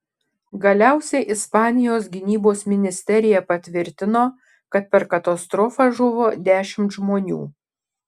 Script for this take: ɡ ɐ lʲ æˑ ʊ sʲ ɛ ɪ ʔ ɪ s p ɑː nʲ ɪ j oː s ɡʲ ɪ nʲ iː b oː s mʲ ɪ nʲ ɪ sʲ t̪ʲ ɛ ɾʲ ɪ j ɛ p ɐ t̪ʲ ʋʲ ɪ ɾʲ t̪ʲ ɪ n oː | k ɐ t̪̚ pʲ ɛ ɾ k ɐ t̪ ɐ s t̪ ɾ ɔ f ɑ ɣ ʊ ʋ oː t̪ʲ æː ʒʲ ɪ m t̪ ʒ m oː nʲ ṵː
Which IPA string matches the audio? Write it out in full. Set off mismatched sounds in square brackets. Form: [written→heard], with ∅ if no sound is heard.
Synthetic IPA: ɡ ɐ lʲ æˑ ʊ sʲ ɛ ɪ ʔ ɪ s p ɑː nʲ ɪ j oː s ɡʲ ɪ nʲ iː b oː s mʲ ɪ nʲ ɪ sʲ t̪ʲ ɛ ɾʲ ɪ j ɛ p ɐ t̪ʲ ʋʲ ɪ ɾʲ t̪ʲ ɪ n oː | k ɐ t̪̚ pʲ ɛ ɾ k ɐ t̪ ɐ s t̪ ɾ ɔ f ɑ [ɣ→ʒ] ʊ ʋ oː [t̪ʲ→d̪ʲ] æː [ʒʲ→ʃʲ] ɪ m t̪ ʒ m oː nʲ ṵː

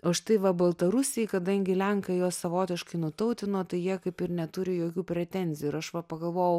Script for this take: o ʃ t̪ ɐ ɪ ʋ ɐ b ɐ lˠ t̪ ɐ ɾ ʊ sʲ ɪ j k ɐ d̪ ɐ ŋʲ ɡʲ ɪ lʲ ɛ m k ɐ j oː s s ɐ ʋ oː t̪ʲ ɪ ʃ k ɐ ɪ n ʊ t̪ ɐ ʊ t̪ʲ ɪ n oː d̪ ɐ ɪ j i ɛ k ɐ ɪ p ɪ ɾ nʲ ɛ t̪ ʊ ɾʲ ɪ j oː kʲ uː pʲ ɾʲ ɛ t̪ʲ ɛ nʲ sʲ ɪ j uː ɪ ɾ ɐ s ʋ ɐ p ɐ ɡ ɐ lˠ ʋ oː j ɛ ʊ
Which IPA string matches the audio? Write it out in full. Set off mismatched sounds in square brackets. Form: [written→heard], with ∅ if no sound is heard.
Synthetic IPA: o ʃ t̪ ɐ ɪ ʋ ɐ b ɐ lˠ t̪ ɐ ɾ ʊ sʲ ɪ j k ɐ d̪ ɐ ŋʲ ɡʲ ɪ lʲ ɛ [m→ŋ] k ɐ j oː s s ɐ ʋ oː t̪ʲ ɪ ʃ k ɐ ɪ n ʊ t̪ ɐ ʊ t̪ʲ ɪ n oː [d̪→t̪] ɐ ɪ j i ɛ k ɐ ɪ p ɪ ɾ nʲ ɛ t̪ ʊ ɾʲ ɪ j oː kʲ uː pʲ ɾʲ ɛ t̪ʲ ɛ nʲ [sʲ→zʲ] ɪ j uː ɪ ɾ ɐ [s→ʃ] ʋ ɐ p ɐ ɡ ɐ lˠ ʋ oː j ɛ ʊ

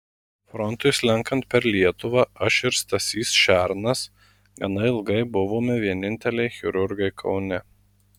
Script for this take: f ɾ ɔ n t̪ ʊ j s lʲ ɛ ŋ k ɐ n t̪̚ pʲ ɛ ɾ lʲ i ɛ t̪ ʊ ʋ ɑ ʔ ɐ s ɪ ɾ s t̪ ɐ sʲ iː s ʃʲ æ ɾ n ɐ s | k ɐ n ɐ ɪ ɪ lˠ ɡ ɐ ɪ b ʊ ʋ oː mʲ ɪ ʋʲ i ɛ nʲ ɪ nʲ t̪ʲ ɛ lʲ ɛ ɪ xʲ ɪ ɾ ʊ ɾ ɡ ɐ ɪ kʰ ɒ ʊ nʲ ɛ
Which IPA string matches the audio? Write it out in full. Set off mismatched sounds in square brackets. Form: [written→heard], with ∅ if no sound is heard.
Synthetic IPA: f ɾ ɔ n t̪ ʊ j s lʲ ɛ ŋ k ɐ n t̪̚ pʲ ɛ ɾ lʲ i ɛ t̪ ʊ ʋ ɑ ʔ ɐ [s→ʃ] ɪ ɾ s t̪ ɐ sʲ iː s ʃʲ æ ɾ n ɐ s | [k→ɡ] ɐ n ɐ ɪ ɪ lˠ ɡ ɐ ɪ b ʊ ʋ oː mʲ ɪ ʋʲ i ɛ nʲ ɪ nʲ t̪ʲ ɛ lʲ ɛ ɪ xʲ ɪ ɾ ʊ ɾ ɡ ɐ ɪ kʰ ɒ ʊ nʲ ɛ

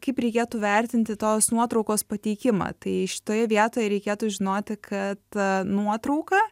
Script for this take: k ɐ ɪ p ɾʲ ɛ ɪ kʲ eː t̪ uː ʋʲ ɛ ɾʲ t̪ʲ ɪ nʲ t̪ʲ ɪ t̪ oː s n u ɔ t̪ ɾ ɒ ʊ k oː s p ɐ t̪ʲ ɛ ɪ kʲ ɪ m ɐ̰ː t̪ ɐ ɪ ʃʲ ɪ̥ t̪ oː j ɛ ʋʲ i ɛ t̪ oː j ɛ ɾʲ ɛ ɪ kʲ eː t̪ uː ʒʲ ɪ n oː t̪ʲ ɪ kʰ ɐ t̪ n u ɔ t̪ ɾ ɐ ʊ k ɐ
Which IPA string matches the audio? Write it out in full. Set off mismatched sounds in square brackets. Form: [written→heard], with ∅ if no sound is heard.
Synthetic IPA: k ɐ ɪ p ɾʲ ɛ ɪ kʲ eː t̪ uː ʋʲ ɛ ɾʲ t̪ʲ ɪ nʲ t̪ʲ ɪ t̪ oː s n u ɔ t̪ ɾ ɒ ʊ k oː s p ɐ t̪ʲ ɛ ɪ kʲ ɪ m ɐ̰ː t̪ ɐ ɪ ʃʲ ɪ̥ t̪ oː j ɛ ʋʲ i ɛ t̪ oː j ɛ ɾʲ ɛ ɪ kʲ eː t̪ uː ʒʲ ɪ n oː t̪ʲ ɪ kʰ ɐ t̪ n u ɔ t̪ ɾ ɐ ʊ k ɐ

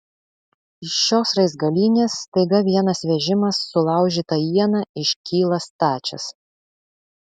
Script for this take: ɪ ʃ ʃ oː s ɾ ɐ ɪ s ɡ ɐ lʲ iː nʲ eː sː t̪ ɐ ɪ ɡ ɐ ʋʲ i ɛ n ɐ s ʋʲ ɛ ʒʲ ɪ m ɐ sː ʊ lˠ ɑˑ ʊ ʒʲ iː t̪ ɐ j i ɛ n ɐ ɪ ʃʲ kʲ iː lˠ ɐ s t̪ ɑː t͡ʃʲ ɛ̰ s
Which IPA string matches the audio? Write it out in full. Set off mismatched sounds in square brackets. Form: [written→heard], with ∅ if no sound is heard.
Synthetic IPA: ɪ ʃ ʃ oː s ɾ ɐ ɪ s ɡ ɐ lʲ iː nʲ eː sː t̪ ɐ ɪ ɡ ɐ ʋʲ i ɛ n ɐ s ʋʲ ɛ ʒʲ ɪ m ɐ sː ʊ lˠ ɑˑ ʊ ʒʲ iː t̪ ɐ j i ɛ n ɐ ɪ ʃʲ kʲ iː lˠ ɐ s t̪ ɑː t͡ʃʲ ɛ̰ s

